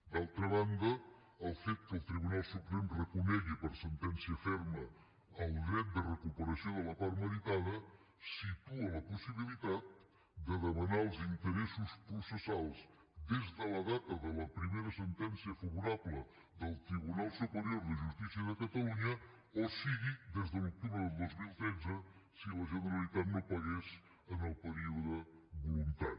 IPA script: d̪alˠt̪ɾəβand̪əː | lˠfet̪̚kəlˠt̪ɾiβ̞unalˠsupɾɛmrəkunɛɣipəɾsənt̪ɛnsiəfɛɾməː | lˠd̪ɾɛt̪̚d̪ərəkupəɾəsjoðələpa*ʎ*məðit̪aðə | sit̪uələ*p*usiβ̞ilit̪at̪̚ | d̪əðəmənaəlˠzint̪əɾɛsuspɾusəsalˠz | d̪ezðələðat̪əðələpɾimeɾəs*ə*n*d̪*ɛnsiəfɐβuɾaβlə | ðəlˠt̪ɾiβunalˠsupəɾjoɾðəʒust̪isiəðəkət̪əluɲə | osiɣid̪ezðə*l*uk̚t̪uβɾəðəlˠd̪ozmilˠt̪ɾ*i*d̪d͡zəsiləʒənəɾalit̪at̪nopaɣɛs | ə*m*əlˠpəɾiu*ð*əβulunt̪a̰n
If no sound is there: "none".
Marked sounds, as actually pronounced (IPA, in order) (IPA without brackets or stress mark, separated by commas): ɾ, p, ə, t̪, l, ɛ, n, ð